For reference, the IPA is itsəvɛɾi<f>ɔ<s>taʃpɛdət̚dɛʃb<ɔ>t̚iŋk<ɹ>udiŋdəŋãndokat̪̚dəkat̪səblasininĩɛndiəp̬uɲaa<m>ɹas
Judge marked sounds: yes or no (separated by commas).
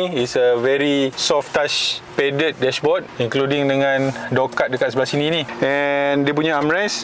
no, no, yes, no, yes